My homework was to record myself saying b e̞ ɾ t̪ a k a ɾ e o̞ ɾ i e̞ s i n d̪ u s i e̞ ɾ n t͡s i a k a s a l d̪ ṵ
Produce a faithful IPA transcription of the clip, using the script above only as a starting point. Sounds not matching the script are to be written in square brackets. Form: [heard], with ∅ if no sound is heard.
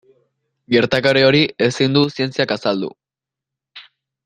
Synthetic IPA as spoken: [ɡ] e̞ ɾ t̪ a k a ɾ e o̞ ɾ i e̞ s i n d̪ u s i e̞ [∅] n t͡s i a k a s a l d̪ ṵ